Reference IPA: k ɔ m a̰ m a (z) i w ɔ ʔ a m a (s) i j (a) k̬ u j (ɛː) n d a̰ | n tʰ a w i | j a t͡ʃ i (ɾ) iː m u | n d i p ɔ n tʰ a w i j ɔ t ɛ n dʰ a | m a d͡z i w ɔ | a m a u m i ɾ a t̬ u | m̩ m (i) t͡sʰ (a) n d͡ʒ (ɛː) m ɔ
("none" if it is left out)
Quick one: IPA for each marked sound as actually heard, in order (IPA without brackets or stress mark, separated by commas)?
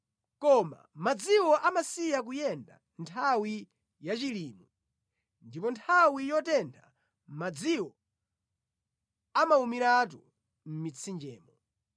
d͡z, s, a, ɛ, l, i, i, ɛː